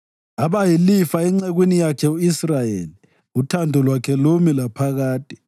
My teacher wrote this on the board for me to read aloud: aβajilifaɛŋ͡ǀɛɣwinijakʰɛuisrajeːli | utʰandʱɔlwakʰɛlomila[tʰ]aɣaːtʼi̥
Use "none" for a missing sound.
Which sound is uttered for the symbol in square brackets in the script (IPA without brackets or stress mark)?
pʰ